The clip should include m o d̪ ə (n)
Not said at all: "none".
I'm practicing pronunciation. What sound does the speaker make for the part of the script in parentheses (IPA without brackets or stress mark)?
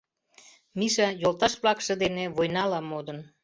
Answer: n